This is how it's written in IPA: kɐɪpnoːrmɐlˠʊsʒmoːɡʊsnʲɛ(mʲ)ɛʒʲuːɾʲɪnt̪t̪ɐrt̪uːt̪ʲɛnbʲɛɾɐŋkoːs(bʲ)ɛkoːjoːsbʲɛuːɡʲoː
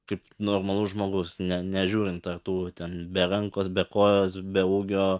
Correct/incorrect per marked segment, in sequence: incorrect: nʲ, correct

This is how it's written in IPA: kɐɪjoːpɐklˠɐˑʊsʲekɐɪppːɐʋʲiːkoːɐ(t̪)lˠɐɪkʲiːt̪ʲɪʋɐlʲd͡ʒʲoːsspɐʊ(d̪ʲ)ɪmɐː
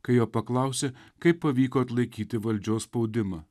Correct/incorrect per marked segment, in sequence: correct, correct

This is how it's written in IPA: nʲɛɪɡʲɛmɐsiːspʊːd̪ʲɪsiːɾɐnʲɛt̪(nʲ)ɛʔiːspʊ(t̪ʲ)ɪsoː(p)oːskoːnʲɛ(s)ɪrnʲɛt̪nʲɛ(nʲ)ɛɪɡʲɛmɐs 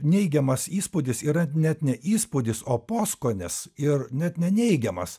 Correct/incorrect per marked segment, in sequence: correct, incorrect: d̪ʲ, correct, correct, correct

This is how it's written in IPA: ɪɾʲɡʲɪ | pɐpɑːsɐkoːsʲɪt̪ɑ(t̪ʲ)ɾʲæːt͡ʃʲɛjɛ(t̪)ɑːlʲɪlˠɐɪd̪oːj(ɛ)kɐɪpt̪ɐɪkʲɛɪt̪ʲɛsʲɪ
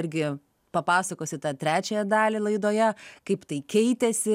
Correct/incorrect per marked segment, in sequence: correct, incorrect: d̪, correct

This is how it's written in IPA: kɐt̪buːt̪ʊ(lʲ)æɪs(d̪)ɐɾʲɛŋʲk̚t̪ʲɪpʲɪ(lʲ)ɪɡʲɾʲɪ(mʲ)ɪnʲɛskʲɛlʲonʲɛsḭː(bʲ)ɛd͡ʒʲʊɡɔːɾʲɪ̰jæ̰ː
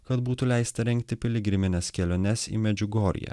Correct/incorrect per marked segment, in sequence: correct, incorrect: t̪, correct, correct, incorrect: mʲ

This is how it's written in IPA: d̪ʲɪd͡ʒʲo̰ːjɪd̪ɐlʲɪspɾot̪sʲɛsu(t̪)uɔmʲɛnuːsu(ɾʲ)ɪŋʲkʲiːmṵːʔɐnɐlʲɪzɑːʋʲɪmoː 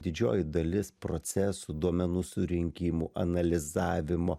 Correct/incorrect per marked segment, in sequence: incorrect: d̪, correct

